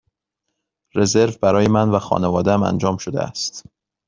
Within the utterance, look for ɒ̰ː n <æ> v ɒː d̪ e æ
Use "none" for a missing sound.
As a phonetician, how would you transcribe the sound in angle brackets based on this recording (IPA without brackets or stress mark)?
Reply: e